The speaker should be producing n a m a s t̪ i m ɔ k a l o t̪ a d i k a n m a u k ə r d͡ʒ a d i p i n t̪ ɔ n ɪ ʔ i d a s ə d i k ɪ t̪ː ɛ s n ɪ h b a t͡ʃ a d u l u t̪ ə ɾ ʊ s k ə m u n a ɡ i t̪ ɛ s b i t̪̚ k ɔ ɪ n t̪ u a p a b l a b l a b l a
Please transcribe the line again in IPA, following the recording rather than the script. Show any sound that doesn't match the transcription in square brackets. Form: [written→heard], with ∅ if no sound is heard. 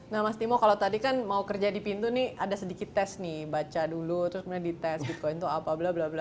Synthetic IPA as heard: n a m a s t̪ i m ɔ k a l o t̪ a d i k a n m a u k ə r d͡ʒ a d i p i n t̪ [ɔ→u] n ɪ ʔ [i→a] d a s ə d i k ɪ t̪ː ɛ s n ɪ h b a t͡ʃ a d u l u t̪ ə ɾ ʊ s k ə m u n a [ɡ→d] i t̪ ɛ s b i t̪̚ k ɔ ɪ n t̪ u a p a b l a b l a b l a